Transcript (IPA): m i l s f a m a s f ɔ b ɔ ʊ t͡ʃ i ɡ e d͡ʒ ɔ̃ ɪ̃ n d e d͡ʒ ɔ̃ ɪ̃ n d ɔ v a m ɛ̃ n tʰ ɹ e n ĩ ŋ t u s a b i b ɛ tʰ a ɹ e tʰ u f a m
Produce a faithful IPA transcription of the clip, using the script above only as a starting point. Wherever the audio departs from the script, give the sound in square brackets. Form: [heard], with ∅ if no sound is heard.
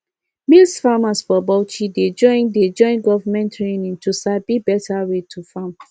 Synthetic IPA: m i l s f a m a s f ɔ b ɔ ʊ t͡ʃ i [d] e d͡ʒ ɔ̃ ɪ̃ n d e d͡ʒ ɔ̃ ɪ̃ n [ɡ] ɔ v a m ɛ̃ n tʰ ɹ e n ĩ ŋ t u s a b i b ɛ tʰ a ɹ e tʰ u f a m